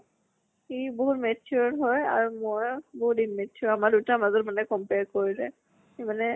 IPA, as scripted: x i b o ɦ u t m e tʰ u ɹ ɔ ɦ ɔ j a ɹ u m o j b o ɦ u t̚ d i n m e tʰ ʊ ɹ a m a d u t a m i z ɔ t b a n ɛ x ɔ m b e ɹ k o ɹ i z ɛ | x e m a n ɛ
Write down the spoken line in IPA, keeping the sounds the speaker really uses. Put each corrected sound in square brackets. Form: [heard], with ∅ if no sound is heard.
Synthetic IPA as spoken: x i b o ɦ u t m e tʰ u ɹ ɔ ɦ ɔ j a ɹ u m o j b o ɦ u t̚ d i n m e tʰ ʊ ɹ a m a d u t a m [a] z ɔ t [m] a n ɛ [k] ɔ m [p] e ɹ k o ɹ i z ɛ | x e m a n ɛ